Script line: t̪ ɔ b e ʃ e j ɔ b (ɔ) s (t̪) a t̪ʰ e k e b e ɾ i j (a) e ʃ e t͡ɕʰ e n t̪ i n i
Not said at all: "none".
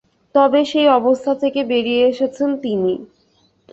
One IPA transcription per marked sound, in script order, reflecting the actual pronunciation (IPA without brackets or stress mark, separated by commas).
o, t̪ʰ, e